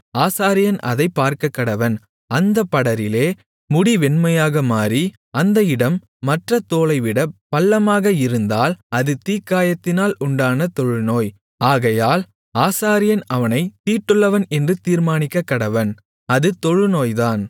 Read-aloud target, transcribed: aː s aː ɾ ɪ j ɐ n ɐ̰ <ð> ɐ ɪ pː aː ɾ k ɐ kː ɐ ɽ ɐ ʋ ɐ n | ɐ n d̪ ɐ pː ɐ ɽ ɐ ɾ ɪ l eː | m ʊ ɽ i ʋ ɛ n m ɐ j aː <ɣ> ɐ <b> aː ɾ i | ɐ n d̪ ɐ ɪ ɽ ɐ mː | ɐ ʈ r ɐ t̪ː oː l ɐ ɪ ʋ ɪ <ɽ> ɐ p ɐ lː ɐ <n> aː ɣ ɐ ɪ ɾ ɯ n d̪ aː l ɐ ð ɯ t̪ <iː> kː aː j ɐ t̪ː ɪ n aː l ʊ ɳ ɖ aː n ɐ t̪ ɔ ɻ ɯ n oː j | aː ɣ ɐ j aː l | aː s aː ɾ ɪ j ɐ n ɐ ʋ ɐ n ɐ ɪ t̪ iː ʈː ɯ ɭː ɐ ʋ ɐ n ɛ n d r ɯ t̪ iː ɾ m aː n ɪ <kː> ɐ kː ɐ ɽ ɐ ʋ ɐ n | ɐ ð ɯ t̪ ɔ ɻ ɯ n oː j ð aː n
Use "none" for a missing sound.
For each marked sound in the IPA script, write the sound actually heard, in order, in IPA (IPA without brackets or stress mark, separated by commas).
ð, ɣ, m, ɽ, m, iː, kː